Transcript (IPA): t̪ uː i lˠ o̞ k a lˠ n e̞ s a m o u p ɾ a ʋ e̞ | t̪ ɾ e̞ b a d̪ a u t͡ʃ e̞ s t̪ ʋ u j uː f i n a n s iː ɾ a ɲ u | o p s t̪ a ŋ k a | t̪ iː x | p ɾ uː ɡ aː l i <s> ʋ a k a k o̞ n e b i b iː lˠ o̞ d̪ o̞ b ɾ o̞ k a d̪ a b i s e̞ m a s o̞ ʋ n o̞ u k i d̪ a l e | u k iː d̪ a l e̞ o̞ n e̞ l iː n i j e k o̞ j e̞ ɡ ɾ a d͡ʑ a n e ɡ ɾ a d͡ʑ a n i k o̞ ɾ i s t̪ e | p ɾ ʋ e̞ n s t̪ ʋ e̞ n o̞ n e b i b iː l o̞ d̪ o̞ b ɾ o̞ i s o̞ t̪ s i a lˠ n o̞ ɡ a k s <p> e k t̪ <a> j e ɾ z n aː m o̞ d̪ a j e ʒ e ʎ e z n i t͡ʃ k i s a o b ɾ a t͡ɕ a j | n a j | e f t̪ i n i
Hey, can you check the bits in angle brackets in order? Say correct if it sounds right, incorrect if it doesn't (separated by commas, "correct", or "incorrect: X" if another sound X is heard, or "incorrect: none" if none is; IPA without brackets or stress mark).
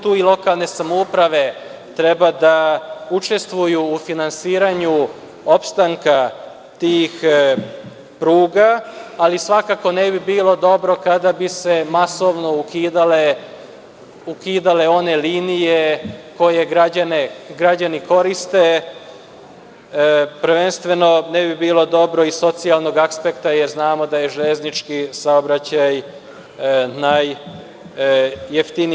correct, correct, correct